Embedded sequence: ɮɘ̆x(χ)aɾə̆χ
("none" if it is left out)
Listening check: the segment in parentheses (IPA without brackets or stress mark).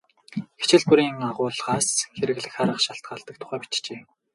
χ